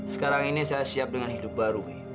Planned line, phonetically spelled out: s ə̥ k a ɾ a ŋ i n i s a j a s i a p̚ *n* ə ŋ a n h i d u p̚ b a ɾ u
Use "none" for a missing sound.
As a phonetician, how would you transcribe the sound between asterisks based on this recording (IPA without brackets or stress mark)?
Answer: d